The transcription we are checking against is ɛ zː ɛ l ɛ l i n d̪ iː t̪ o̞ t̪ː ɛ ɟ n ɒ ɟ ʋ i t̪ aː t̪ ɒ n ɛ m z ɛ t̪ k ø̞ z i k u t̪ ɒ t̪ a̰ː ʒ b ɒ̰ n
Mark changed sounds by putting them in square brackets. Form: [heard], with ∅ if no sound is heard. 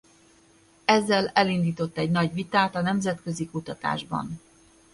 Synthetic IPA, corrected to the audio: ɛ zː ɛ l ɛ l i n d̪ iː t̪ o̞ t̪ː ɛ ɟ n ɒ ɟ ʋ i t̪ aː t̪ ɒ n ɛ m z ɛ t̪ k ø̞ z i k u t̪ ɒ t̪ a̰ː ʒ b ɒ̰ n